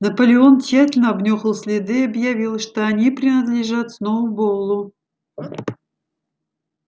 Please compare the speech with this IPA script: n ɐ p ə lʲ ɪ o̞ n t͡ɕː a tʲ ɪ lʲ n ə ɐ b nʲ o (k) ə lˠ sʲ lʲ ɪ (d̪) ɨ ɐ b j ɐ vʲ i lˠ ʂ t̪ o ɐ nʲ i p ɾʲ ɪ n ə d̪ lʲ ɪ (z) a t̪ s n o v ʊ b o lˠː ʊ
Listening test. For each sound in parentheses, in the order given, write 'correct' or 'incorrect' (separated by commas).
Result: incorrect, correct, incorrect